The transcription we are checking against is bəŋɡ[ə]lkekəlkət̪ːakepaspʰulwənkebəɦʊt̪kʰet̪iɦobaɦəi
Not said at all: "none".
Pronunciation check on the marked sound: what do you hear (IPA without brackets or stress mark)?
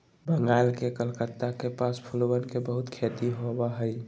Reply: a